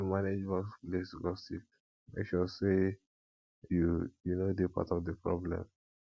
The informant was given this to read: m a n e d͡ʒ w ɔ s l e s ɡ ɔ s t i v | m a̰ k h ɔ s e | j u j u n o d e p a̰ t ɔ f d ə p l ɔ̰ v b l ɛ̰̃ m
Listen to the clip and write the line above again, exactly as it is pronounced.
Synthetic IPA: m a n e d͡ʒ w ɔ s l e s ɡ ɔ s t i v | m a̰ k ʃ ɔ s e | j u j u n o d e p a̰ t ɔ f d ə p ɹ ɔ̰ b l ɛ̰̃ m